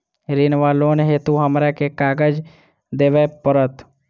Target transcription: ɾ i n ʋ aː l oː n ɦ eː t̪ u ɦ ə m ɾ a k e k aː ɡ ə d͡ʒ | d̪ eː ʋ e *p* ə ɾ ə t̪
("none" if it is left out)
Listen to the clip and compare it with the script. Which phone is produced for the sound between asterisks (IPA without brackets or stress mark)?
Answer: p